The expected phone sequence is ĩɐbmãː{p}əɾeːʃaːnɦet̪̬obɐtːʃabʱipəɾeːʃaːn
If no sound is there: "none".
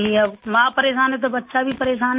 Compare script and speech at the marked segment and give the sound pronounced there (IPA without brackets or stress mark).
p